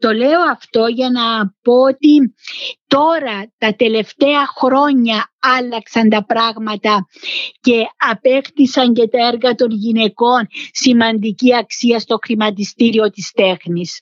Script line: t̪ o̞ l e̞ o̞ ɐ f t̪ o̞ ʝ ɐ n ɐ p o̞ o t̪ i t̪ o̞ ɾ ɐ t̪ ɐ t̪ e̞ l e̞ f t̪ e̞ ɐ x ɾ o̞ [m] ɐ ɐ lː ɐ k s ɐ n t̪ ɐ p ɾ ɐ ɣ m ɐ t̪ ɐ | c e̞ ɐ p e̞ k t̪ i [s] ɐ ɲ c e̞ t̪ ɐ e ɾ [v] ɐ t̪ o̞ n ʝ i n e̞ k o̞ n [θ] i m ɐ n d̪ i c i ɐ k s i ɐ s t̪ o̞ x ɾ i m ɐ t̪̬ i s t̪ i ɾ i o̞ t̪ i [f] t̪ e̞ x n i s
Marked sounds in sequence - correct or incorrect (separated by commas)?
incorrect, correct, incorrect, incorrect, incorrect